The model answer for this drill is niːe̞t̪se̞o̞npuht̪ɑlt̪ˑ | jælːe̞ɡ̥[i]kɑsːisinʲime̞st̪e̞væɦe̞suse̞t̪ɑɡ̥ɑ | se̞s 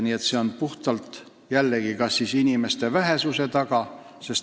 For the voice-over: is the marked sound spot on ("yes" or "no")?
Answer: yes